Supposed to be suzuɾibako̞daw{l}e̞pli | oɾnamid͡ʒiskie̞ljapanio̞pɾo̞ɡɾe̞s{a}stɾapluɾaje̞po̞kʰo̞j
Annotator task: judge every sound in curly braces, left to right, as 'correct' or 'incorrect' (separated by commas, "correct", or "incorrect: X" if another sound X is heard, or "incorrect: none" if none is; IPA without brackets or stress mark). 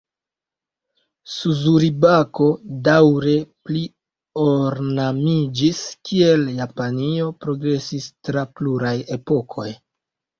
incorrect: ɾ, incorrect: i